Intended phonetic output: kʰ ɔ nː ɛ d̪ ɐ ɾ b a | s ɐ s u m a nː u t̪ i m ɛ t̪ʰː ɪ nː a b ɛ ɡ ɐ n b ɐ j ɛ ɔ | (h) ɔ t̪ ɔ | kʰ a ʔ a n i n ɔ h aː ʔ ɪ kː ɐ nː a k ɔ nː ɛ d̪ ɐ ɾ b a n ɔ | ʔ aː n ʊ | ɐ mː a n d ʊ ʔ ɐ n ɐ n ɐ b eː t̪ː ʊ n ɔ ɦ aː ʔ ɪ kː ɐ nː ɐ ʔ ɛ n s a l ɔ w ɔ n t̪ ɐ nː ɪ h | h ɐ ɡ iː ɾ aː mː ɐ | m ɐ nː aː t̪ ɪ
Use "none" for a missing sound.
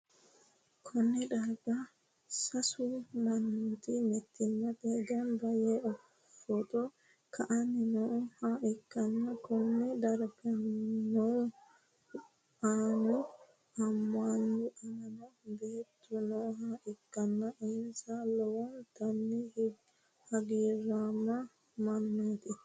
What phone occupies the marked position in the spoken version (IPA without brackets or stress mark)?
f